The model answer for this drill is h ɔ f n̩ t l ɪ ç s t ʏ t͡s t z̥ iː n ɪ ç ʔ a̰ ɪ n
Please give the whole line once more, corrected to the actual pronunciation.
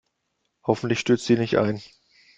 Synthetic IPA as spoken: h ɔ f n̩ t l ɪ ç ʃ t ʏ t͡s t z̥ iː n ɪ ç t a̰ ɪ n